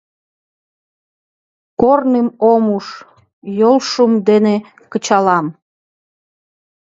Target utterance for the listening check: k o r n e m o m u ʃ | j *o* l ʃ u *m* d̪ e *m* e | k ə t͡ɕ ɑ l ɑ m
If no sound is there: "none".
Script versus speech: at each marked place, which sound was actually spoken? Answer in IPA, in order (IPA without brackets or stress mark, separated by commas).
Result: o, m, n